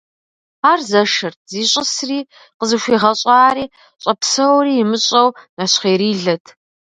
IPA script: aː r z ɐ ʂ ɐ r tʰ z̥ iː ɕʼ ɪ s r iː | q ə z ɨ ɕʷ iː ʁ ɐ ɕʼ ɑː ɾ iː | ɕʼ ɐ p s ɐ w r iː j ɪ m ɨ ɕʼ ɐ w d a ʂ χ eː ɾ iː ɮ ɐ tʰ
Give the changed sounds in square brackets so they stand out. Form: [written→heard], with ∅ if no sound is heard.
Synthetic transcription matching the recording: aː r z ɐ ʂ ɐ r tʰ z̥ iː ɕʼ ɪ s r iː | q ə z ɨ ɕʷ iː ʁ ɐ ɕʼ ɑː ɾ iː | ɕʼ ɐ p s ɐ w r iː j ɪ m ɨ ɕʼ ɐ w [d→n] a [ʂ→ɕ] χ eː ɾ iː ɮ ɐ tʰ